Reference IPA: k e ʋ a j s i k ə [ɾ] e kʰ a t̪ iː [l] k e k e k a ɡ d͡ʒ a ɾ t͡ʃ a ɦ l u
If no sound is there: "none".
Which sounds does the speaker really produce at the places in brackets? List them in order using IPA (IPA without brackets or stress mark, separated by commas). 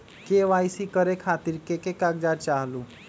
ɾ, ɾ